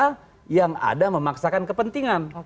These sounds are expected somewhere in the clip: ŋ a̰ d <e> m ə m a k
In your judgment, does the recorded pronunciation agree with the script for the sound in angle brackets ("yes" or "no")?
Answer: no